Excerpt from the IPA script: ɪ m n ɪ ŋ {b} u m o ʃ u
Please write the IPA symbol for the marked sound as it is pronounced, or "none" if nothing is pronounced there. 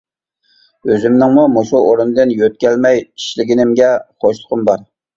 m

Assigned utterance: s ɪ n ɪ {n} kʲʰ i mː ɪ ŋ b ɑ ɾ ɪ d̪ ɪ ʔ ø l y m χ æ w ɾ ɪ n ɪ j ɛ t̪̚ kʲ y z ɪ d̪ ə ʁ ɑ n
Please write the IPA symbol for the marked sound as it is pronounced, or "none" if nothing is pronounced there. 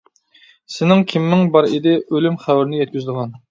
ŋ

